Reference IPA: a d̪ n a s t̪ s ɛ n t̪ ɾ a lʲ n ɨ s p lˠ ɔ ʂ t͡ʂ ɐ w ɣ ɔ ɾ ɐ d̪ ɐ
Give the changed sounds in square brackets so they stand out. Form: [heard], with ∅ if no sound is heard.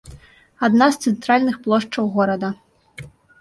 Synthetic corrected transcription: a d̪ n a s t̪ s ɛ n t̪ ɾ a lʲ n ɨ [x] p lˠ ɔ ʂ t͡ʂ ɐ w ɣ ɔ ɾ ɐ d̪ ɐ